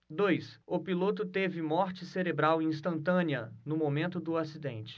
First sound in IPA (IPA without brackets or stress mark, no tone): d̪